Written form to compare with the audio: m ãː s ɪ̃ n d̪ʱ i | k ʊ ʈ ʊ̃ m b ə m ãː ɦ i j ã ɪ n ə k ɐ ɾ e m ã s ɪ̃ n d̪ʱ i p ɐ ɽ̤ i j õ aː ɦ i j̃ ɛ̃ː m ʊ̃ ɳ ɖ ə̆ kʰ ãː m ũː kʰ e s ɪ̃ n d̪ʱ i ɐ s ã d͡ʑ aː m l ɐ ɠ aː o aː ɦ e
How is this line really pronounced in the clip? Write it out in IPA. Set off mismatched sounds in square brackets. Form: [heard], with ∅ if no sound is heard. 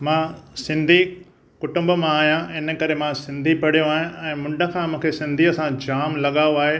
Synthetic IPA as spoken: m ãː s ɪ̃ n d̪ʱ i | k ʊ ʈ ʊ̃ m b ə m ãː ɦ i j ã ɪ n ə k ɐ ɾ e m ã s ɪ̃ n d̪ʱ i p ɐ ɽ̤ i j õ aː ɦ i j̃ ɛ̃ː m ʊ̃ ɳ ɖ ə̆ kʰ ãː m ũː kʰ e s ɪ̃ n d̪ʱ i ɐ s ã d͡ʑ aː m l ɐ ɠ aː o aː ɦ e